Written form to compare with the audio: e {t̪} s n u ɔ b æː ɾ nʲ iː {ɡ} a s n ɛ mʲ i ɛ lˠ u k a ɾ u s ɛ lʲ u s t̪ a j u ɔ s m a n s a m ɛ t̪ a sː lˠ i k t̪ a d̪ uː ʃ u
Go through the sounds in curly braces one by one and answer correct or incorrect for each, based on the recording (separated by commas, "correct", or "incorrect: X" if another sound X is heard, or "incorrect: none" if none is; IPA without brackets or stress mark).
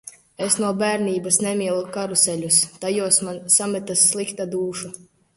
incorrect: none, incorrect: b